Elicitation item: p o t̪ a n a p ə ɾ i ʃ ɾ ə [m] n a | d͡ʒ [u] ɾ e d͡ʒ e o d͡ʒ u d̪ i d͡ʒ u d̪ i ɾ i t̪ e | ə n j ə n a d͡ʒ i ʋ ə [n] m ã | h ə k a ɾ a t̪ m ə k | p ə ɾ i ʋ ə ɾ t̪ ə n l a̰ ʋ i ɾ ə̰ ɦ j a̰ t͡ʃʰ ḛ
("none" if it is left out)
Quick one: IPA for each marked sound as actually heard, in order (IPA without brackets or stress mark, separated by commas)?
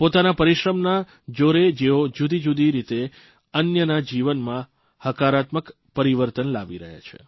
m, o, n